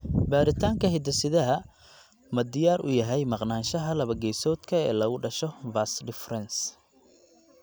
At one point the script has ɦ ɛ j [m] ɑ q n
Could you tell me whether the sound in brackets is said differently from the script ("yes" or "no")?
no